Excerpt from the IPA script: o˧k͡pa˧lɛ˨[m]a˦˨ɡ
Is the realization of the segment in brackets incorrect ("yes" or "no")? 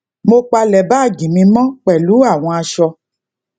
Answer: yes